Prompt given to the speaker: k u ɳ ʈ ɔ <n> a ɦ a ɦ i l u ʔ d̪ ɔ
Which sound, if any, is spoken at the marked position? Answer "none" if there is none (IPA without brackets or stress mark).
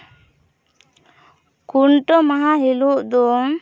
m